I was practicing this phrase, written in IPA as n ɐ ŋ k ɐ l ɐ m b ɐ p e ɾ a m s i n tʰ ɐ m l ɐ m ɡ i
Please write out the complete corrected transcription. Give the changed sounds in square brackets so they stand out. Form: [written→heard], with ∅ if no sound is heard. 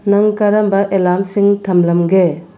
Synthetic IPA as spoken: n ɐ ŋ k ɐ [l→ɾ] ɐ m b ɐ [p→ʔ] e [ɾ→l] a m s i [n→ŋ] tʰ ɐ m l ɐ m ɡ [i→e]